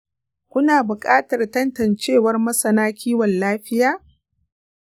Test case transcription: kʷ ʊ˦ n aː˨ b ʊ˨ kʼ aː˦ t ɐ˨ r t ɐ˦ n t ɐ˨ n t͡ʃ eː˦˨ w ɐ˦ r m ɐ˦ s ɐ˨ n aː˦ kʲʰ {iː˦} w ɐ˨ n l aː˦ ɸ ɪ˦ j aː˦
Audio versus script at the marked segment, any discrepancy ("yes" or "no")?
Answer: no